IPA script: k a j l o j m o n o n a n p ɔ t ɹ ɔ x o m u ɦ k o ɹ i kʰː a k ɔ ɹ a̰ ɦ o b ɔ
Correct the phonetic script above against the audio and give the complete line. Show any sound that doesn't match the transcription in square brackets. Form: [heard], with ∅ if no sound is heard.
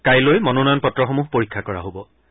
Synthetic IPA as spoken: k a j l o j m [ɔ] n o n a n p ɔ t ɹ ɔ x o m u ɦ [p] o ɹ i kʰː a k ɔ ɹ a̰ ɦ o b ɔ